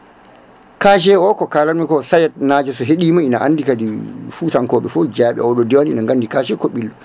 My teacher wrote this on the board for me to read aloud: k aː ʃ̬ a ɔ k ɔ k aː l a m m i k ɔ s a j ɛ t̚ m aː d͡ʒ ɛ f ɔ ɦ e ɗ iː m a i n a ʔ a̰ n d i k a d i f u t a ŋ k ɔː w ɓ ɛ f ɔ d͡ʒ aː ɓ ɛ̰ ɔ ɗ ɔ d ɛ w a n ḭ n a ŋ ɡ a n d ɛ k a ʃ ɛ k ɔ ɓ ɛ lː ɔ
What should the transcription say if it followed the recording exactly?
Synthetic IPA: k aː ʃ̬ ɛ ɔ k ɔ k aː l a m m i k ɔ s a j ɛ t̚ n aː d͡ʒ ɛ s ɔ ɦ e ɗ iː m a i n a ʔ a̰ n d i k a d i f u t a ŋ k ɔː ɓ ɛ f ɔ d͡ʒ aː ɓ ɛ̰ ɔ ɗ ɔ d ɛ w a n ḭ n a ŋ ɡ a n d i k a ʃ ɛ k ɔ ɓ i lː ɔ